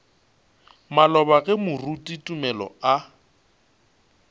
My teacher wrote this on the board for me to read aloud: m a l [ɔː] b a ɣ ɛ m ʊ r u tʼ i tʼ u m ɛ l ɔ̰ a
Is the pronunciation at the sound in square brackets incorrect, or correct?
incorrect